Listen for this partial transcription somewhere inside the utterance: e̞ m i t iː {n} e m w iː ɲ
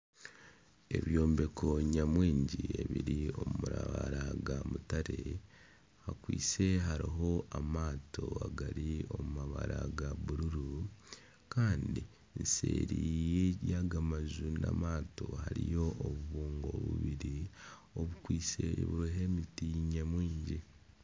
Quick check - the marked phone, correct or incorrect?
incorrect